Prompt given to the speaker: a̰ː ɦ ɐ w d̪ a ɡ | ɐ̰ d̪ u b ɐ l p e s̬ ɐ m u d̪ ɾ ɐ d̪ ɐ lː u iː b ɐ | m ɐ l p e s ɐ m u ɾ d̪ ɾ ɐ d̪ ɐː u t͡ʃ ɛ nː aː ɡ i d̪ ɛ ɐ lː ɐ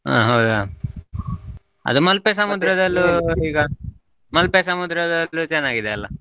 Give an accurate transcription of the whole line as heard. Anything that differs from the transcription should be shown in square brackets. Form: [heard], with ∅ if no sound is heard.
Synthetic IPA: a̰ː ɦ ɐ w d̪ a [∅] | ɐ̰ d̪ u [m] ɐ l p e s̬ ɐ m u d̪ ɾ ɐ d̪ ɐ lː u iː [ɡ] ɐ | m ɐ l p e s ɐ m u [∅] d̪ ɾ ɐ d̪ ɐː u t͡ʃ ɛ nː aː ɡ i d̪ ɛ ɐ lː ɐ